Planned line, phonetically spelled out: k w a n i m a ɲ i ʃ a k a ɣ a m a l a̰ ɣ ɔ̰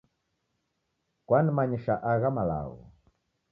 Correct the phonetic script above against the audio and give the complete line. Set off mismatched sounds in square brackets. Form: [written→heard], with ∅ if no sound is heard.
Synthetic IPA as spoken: k w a n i m a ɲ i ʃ a [k→ʔ] a ɣ a m a l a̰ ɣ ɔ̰